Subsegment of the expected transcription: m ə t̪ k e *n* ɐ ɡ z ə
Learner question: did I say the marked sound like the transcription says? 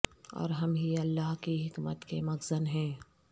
no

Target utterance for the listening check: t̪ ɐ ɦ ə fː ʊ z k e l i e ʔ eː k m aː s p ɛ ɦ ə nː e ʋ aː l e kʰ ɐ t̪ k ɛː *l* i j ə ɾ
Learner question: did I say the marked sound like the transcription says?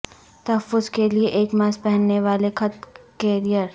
no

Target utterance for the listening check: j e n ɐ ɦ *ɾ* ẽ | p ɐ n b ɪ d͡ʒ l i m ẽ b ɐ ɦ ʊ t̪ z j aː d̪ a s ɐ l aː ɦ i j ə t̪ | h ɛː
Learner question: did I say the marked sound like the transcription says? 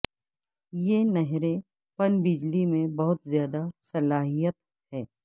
yes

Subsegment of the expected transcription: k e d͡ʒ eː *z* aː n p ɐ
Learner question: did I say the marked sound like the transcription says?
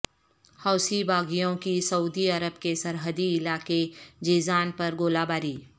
yes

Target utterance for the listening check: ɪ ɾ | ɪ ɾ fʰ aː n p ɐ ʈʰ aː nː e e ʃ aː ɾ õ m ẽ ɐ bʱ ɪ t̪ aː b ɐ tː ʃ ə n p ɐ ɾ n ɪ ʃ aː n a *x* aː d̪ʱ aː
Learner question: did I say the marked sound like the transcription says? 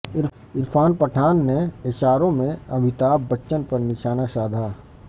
no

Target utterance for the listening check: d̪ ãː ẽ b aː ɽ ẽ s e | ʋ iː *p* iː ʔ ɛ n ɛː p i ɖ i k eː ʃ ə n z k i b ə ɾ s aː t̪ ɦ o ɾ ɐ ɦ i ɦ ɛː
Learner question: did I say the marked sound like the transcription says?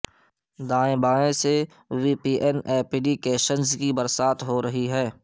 yes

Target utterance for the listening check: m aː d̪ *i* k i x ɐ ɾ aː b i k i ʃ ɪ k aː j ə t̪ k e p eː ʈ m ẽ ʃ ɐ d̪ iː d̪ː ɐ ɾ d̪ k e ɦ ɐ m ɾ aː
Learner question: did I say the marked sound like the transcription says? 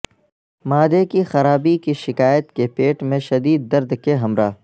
no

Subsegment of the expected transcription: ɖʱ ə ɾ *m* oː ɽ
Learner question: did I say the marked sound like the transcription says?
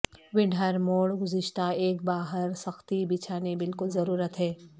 yes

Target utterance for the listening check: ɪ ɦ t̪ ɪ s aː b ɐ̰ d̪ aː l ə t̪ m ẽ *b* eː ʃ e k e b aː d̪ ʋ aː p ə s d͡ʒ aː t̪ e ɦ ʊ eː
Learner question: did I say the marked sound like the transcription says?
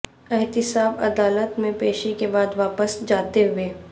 no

